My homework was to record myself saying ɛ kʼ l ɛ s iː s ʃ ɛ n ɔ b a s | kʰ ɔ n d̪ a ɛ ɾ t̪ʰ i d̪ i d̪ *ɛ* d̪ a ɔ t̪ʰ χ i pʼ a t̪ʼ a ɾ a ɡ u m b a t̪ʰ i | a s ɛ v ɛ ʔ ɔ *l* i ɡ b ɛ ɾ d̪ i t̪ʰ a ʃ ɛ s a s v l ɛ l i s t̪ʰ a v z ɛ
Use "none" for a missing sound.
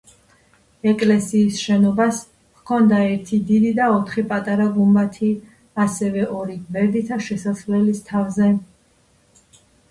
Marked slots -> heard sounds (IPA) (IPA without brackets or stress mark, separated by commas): i, ɾ